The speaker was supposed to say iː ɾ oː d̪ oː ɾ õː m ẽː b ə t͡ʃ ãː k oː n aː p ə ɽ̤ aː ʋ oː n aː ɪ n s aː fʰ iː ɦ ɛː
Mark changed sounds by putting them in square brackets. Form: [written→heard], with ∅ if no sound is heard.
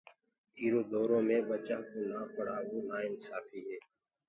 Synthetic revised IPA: iː ɾ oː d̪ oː ɾ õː m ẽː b ə t͡ʃ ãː k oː n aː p ə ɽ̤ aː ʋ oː n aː ɪ n s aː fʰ iː ɦ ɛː